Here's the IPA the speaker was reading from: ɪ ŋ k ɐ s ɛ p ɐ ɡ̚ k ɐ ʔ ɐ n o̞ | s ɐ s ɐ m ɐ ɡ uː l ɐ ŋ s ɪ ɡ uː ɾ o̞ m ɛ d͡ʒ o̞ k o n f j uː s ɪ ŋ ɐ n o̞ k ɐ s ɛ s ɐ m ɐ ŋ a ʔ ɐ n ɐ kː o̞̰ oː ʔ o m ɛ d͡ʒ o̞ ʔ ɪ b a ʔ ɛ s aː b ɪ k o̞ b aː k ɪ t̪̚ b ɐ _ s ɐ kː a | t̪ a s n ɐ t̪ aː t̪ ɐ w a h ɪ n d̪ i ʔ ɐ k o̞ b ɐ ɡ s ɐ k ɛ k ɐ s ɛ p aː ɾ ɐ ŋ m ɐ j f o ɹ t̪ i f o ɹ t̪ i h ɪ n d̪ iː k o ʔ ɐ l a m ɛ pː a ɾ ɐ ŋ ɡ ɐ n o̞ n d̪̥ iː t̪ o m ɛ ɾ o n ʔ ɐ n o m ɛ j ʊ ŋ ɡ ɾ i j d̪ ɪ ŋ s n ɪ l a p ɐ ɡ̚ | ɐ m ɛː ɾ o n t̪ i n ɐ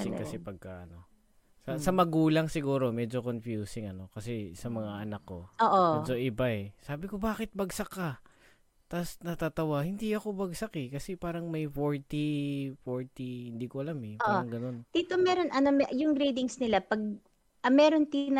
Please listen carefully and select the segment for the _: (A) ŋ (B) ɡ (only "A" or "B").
B